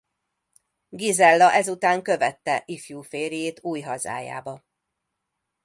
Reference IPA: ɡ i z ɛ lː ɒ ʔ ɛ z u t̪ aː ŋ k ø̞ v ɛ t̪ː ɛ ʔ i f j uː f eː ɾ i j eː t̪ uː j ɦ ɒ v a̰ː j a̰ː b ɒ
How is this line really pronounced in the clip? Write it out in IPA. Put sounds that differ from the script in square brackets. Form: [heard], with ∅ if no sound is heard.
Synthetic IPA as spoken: ɡ i z ɛ lː ɒ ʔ ɛ z u t̪ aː ŋ k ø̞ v ɛ t̪ː ɛ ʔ i f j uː f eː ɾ i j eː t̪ uː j ɦ ɒ [z] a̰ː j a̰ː b ɒ